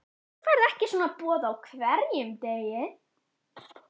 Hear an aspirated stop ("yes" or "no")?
yes